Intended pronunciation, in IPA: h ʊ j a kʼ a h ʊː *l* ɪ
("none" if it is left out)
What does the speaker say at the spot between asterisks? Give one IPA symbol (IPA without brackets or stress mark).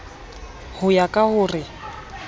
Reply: r